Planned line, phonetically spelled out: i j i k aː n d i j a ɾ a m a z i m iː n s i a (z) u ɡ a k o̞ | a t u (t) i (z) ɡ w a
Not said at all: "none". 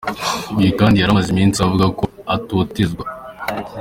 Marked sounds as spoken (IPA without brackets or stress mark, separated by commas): v, t, z